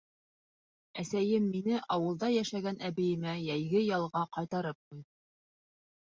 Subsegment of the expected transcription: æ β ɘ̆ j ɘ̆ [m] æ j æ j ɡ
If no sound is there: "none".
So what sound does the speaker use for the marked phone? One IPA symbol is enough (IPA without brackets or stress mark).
m